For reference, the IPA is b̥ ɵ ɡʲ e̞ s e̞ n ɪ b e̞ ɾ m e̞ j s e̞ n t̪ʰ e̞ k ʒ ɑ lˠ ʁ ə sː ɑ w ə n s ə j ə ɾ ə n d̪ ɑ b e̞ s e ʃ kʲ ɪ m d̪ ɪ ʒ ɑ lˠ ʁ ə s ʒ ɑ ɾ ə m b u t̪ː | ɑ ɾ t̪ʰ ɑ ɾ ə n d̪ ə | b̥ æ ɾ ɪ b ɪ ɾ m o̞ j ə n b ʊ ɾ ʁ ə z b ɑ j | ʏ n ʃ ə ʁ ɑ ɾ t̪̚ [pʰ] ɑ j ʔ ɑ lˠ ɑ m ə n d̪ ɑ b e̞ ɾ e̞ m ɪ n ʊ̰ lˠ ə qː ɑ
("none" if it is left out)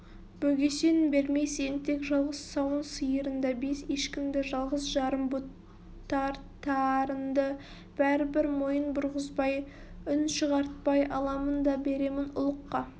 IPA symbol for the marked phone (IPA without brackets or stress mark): p